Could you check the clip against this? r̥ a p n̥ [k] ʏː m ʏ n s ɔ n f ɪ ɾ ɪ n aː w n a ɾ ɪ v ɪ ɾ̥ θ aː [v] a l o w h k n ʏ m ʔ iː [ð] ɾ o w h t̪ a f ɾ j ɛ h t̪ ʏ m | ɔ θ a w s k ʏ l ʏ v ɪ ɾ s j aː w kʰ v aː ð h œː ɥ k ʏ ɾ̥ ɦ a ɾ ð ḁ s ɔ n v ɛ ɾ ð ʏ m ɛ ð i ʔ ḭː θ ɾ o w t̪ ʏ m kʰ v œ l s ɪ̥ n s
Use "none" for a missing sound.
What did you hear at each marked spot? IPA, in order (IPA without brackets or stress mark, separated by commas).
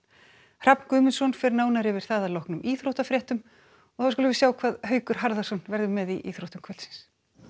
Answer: k, ð, θ